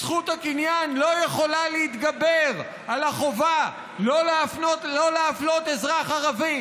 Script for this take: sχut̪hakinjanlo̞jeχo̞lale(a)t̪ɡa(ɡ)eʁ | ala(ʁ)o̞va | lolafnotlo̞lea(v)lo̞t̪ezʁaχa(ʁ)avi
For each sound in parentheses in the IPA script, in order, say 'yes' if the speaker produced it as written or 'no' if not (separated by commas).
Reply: no, no, no, no, yes